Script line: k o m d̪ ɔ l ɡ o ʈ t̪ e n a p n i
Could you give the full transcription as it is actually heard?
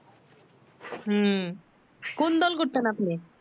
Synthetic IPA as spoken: k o n d̪ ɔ l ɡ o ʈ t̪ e n a p n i